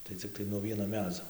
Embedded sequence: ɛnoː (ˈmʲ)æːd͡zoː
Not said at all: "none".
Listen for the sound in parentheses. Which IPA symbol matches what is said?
mʲ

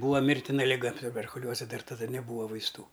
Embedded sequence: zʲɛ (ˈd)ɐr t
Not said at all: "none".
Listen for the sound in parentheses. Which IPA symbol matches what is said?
d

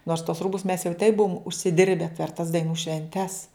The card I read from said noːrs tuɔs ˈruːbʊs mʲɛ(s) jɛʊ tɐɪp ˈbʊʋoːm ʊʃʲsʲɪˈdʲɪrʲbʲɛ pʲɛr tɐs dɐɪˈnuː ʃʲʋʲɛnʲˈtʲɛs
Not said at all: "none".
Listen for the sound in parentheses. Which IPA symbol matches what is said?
s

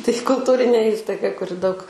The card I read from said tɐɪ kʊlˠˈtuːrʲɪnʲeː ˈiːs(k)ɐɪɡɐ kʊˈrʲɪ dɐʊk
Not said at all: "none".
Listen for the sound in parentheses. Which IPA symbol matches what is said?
t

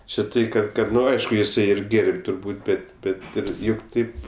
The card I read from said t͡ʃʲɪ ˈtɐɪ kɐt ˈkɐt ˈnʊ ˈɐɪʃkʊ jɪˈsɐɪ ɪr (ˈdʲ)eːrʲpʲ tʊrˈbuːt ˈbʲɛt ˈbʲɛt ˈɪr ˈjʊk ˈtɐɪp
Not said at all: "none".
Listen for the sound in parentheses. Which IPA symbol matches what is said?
ɡʲ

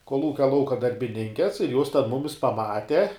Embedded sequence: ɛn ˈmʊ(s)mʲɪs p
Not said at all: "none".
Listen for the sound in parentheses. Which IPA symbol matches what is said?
none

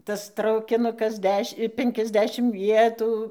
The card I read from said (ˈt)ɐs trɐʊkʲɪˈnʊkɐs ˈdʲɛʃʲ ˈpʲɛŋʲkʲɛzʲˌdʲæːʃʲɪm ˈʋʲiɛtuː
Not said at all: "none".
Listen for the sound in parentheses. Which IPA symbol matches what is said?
t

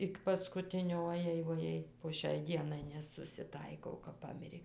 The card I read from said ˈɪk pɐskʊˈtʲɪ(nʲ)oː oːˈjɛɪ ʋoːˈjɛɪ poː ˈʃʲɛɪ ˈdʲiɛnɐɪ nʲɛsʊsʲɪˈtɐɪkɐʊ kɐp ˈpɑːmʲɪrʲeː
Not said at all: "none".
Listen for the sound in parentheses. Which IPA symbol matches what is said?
nʲ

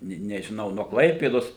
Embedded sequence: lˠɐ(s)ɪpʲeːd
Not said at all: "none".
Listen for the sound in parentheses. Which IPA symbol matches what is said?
none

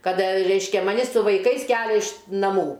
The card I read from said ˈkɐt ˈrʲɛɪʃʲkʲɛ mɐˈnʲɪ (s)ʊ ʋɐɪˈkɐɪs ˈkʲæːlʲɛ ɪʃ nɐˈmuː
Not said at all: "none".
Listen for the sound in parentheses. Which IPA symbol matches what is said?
s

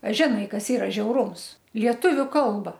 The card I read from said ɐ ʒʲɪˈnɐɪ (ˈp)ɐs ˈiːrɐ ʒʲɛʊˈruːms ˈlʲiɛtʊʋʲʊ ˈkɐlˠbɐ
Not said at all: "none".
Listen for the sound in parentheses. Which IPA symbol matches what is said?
k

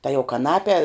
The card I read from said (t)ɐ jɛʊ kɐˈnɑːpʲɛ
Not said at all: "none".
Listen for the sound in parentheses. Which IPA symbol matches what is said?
t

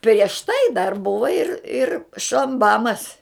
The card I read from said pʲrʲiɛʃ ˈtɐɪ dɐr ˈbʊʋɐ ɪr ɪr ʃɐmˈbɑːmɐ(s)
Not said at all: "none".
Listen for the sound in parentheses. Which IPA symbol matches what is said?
s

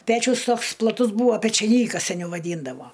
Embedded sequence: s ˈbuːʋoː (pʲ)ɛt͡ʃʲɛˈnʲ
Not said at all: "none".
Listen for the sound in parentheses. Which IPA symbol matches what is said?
pʲ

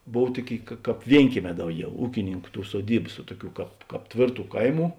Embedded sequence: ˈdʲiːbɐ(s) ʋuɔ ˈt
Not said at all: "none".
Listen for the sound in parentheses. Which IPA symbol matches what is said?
s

